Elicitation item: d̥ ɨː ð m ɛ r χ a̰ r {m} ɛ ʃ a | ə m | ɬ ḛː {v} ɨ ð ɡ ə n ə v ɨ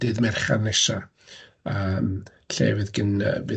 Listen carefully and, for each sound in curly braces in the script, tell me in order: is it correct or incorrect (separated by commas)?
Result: incorrect, correct